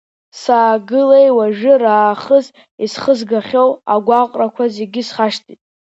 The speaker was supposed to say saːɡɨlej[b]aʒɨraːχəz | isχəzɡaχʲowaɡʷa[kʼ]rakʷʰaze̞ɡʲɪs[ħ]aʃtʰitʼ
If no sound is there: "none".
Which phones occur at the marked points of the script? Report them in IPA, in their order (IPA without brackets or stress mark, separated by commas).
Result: w, qʼ, χ